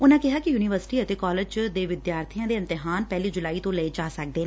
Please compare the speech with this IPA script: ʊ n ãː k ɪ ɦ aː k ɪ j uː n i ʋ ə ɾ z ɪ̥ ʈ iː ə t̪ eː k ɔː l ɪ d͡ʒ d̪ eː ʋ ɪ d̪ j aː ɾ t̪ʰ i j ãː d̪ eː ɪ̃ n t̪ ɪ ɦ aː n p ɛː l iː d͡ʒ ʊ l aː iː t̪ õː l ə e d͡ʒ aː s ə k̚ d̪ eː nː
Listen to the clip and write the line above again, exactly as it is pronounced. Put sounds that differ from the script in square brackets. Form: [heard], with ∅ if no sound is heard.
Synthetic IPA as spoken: ʊ n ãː k ɪ ɦ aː k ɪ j uː n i ʋ ə ɾ [s] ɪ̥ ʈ iː ə t̪ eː k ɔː l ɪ d͡ʒ d̪ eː ʋ ɪ d̪ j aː ɾ t̪ʰ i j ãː d̪ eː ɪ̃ n t̪ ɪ ɦ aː n p ɛː l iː d͡ʒ ʊ l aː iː t̪ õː l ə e d͡ʒ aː s ə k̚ d̪ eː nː